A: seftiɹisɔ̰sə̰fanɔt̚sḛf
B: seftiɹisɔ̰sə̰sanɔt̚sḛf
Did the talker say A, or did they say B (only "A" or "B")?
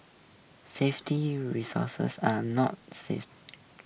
B